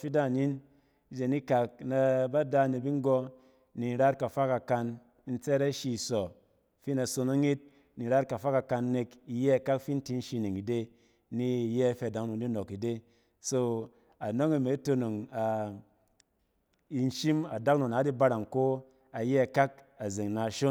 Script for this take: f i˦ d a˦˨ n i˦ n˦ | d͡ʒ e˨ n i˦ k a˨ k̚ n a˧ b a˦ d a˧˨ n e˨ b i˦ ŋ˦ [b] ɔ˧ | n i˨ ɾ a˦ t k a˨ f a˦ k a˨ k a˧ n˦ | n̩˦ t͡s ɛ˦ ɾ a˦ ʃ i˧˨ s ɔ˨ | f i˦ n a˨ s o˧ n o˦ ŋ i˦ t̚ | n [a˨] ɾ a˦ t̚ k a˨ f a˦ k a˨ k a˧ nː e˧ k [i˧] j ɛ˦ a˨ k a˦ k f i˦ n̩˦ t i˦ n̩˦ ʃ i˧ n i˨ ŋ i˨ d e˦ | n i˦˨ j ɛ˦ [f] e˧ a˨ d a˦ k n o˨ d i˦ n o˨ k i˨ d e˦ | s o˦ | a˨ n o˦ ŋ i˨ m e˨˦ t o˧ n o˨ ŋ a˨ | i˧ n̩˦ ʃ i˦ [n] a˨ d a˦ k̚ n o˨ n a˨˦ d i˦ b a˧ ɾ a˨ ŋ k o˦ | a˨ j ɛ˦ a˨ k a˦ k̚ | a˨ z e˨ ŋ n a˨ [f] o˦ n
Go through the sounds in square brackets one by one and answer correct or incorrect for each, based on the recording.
incorrect, incorrect, correct, correct, incorrect, incorrect

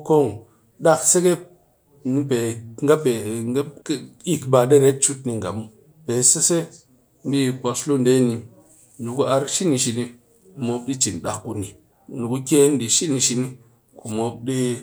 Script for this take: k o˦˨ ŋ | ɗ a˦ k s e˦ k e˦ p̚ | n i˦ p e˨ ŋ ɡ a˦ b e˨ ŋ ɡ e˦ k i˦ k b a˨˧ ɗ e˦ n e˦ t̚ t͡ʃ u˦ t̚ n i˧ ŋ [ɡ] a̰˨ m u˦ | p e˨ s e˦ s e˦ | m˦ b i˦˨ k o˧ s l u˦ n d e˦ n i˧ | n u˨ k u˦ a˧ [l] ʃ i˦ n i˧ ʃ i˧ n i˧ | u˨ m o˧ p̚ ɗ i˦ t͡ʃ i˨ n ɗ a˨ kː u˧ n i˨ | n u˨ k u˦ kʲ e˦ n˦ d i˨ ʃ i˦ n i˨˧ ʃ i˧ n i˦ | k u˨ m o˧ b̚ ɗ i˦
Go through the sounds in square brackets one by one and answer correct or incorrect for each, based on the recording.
correct, incorrect

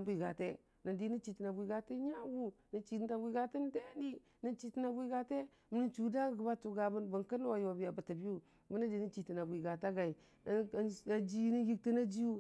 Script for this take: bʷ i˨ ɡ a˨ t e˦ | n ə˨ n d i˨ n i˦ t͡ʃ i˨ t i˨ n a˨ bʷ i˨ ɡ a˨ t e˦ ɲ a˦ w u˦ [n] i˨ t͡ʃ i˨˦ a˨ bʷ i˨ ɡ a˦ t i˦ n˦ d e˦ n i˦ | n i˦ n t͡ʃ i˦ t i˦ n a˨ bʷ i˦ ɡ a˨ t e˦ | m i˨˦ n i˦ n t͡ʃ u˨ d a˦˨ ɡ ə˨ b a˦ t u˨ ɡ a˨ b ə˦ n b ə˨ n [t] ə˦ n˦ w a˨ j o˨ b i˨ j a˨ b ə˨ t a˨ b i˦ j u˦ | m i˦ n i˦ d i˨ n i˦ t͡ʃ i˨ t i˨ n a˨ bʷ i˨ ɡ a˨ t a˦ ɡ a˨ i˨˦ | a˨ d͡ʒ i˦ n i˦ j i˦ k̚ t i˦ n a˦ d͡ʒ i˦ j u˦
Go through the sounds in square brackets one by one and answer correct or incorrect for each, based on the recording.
correct, incorrect

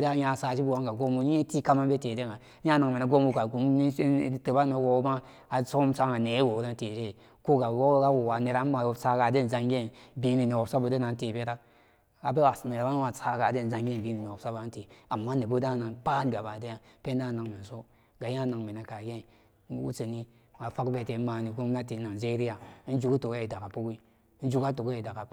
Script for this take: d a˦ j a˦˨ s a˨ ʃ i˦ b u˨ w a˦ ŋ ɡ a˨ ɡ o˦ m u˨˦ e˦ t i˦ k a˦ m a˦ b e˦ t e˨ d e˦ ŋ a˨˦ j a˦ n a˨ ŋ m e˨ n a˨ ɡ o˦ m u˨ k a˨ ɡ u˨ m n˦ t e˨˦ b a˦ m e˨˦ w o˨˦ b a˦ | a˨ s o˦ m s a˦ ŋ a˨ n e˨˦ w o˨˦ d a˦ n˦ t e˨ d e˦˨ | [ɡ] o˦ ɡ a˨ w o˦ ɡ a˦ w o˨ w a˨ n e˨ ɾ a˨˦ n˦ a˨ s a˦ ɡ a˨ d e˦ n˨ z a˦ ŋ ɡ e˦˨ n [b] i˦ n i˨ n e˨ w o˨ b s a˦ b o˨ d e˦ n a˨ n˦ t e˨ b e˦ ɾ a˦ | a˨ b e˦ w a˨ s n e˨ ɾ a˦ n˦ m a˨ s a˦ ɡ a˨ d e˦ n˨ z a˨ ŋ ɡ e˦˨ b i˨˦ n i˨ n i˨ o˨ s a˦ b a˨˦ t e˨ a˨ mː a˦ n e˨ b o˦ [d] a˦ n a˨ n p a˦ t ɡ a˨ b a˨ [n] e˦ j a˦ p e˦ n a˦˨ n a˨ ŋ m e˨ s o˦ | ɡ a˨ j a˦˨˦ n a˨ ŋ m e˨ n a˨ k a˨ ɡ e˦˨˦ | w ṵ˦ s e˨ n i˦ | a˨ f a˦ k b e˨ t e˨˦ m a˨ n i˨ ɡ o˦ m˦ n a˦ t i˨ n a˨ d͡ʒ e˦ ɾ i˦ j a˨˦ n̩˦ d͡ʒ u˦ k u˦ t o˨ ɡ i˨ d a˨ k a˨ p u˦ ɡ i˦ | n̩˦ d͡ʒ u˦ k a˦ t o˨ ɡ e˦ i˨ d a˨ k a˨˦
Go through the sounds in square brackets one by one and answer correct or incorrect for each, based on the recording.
incorrect, correct, correct, incorrect

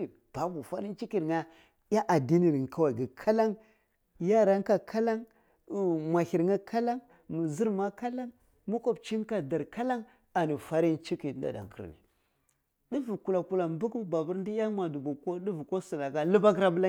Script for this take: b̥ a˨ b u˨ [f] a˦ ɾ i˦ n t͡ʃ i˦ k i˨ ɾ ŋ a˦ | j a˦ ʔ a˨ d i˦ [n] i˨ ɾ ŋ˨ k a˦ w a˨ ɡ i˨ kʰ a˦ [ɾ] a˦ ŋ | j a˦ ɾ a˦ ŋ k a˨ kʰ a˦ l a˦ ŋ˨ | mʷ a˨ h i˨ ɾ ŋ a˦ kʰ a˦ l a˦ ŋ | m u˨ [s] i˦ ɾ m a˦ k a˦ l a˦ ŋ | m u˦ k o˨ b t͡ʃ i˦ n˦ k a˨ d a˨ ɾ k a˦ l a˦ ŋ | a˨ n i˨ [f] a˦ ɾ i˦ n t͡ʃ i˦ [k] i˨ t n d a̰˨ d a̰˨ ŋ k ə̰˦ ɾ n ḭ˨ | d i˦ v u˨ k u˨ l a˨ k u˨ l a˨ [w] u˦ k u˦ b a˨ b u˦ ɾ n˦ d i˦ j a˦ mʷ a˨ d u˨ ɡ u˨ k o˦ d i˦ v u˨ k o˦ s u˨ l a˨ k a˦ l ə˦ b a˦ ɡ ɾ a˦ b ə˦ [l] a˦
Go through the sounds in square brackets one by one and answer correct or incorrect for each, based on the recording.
correct, correct, incorrect, incorrect, correct, correct, incorrect, correct

